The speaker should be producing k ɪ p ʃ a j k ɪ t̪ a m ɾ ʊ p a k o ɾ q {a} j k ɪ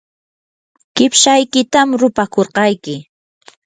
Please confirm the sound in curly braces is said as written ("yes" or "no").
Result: no